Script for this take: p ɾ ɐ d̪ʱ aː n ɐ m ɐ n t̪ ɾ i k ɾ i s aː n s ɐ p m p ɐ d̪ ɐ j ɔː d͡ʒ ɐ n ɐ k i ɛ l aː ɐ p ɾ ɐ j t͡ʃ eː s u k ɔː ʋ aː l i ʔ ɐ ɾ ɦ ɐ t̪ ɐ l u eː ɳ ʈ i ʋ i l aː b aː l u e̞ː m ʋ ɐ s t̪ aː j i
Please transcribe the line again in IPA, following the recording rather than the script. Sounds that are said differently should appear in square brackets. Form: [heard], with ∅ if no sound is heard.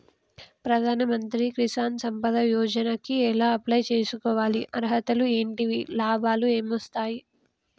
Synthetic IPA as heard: p ɾ ɐ d̪ʱ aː n ɐ m ɐ n t̪ ɾ i k ɾ i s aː n s ɐ [∅] m p ɐ d̪ ɐ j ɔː d͡ʒ ɐ n ɐ k i ɛ l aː ɐ p [l] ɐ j t͡ʃ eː s u k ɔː ʋ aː l i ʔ ɐ ɾ ɦ ɐ t̪ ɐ l u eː ɳ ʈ i ʋ i l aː b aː l u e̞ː m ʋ ɐ s t̪ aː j i